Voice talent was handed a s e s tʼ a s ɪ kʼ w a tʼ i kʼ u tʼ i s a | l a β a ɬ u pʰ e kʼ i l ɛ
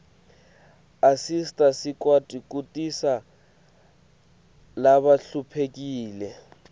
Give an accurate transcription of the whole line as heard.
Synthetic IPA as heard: a s i s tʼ a s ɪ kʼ w a tʼ i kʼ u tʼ i s a | l a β a ɬ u pʰ e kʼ iː l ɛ